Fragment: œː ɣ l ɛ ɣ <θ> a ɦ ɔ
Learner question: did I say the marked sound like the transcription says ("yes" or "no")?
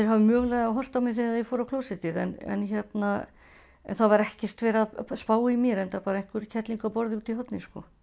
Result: no